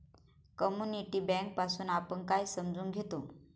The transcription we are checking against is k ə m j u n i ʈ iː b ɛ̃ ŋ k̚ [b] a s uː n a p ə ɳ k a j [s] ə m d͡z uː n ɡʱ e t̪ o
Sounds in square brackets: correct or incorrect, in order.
incorrect: p, correct

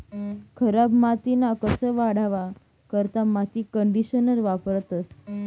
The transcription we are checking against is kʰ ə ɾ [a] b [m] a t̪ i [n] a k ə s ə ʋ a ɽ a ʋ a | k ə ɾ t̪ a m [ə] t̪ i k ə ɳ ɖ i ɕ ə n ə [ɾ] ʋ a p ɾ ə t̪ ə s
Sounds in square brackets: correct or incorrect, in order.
correct, correct, correct, incorrect: a, correct

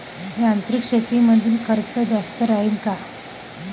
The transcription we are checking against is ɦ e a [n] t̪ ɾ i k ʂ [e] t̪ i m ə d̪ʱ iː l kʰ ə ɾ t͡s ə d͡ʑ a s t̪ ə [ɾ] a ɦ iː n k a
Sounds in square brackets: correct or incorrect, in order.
correct, correct, correct

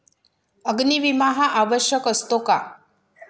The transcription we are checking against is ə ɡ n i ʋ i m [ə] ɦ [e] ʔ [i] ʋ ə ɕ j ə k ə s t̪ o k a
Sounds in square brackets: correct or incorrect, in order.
incorrect: a, incorrect: a, incorrect: a

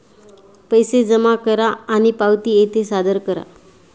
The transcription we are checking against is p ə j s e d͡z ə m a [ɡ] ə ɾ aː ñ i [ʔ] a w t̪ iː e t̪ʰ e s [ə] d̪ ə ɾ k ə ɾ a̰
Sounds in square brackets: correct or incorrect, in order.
incorrect: k, incorrect: p, incorrect: a

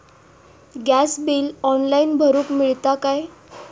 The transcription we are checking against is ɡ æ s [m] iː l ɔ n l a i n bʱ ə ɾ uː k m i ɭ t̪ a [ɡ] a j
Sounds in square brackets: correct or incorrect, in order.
incorrect: b, incorrect: k

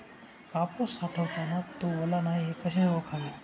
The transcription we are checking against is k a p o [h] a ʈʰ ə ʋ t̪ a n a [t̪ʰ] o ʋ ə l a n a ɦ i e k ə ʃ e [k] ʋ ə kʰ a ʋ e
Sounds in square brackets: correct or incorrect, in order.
incorrect: s, incorrect: t̪, incorrect: none

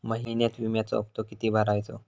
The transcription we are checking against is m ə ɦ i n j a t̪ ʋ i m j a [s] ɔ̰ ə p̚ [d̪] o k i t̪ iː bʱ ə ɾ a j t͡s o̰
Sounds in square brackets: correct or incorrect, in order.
incorrect: t͡s, incorrect: t̪

